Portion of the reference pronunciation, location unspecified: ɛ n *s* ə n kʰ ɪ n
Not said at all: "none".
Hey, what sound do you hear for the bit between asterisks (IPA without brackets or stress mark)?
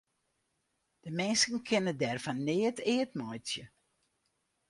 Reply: s